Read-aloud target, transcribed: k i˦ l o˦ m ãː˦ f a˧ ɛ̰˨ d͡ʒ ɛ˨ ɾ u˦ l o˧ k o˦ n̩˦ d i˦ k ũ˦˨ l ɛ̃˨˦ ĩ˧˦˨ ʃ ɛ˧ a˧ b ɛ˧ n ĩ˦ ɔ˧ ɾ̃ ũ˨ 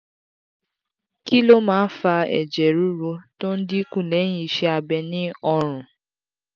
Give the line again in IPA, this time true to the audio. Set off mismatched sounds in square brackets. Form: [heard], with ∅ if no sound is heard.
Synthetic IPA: k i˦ l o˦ m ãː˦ f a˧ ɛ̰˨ d͡ʒ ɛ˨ ɾ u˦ [ɾ] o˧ [t] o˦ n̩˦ d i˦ k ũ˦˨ l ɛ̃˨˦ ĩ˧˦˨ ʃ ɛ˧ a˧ b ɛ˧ n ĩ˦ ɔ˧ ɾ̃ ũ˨